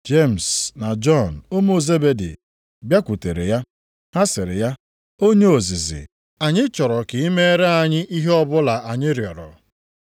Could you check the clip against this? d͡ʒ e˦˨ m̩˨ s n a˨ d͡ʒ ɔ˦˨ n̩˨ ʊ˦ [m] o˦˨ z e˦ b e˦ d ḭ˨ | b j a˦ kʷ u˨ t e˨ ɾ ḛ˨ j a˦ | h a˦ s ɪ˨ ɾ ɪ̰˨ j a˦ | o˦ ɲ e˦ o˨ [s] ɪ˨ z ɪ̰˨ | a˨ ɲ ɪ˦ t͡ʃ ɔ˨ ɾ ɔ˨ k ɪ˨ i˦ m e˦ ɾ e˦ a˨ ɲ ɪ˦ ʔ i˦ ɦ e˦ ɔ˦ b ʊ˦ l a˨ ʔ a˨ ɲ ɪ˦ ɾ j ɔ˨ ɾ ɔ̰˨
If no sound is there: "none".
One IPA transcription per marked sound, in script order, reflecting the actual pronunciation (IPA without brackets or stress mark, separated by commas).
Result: m, z